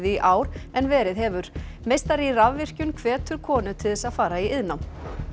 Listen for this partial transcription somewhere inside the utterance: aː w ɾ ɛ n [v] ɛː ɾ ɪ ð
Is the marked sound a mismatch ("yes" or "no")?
no